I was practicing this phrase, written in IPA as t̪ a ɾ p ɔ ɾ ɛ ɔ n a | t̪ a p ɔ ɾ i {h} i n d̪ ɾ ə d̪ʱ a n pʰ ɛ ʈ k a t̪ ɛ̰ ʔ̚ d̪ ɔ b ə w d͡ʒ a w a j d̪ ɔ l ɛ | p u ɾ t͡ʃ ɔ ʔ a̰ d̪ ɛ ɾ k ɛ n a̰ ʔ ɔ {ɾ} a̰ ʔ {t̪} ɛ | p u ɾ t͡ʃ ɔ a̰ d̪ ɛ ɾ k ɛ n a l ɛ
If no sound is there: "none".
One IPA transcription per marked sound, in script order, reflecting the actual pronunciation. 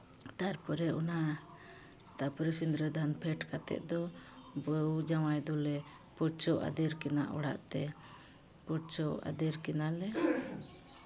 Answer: s, ɽ, t̪

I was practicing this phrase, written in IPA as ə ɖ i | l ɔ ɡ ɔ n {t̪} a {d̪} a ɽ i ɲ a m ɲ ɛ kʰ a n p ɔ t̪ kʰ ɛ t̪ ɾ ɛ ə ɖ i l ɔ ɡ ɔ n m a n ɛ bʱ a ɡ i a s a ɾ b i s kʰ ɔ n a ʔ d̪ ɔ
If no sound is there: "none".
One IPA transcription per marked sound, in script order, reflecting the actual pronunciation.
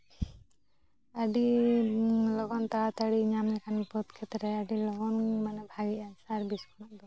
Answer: t̪, t̪

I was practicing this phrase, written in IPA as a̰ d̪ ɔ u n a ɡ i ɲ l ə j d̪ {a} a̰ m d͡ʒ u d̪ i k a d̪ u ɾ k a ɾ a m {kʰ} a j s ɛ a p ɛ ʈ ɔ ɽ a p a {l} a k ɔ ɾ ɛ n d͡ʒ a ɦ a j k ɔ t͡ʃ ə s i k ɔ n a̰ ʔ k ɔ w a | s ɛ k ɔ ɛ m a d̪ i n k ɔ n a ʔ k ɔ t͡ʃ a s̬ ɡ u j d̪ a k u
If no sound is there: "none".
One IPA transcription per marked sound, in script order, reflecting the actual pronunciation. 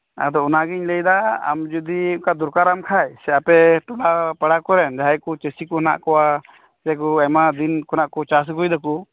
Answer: a, kʰ, ɽ

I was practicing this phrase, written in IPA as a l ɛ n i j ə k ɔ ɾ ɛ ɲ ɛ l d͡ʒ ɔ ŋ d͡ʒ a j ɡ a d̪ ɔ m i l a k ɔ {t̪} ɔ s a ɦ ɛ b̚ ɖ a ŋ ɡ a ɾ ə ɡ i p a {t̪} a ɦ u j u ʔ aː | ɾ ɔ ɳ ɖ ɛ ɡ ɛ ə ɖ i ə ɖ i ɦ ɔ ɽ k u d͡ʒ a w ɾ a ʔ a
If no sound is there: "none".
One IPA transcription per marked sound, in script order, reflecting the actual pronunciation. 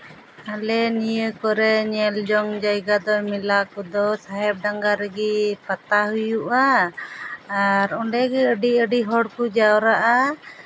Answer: d̪, t̪

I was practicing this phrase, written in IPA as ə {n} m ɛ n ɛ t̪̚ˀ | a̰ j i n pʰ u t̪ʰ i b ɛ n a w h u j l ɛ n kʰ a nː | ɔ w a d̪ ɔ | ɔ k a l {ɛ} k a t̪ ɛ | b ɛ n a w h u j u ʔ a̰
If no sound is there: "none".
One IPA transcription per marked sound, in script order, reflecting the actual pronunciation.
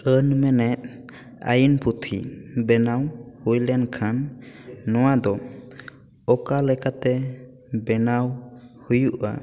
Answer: n, ɛ

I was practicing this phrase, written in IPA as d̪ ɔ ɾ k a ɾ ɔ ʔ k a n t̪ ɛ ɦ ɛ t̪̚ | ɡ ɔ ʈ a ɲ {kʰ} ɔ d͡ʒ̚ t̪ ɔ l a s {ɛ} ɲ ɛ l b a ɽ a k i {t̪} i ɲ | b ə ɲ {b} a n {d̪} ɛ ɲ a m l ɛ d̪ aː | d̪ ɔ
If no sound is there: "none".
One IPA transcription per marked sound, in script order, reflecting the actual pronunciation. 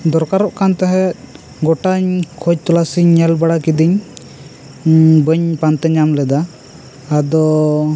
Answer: kʰ, i, d̪, p, t̪

